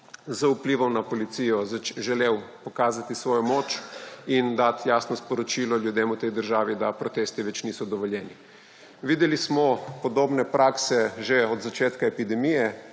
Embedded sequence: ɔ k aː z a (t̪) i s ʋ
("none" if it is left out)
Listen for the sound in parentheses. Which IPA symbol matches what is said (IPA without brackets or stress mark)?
t̪